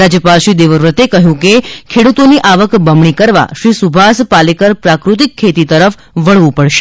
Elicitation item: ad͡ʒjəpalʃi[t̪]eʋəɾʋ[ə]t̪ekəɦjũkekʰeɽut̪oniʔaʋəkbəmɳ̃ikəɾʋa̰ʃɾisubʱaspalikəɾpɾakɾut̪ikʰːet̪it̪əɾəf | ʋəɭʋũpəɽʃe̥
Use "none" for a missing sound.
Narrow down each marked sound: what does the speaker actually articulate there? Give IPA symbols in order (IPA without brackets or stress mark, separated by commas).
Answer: d̪, ə